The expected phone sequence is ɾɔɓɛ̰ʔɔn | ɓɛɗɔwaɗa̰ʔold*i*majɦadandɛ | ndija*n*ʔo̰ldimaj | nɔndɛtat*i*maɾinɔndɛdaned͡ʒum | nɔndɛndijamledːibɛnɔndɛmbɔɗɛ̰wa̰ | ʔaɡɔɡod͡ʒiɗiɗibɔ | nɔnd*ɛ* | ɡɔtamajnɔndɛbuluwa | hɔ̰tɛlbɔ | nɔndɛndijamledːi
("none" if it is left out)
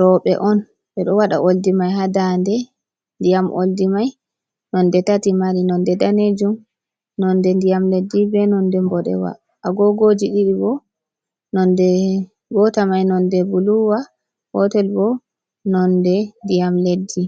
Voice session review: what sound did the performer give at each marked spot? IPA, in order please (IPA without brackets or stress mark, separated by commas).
i, m, i, ɛ